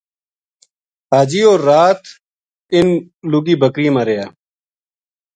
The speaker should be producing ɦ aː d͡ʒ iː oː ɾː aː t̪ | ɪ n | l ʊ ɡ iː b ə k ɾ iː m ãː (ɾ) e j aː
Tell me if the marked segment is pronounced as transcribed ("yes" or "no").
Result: yes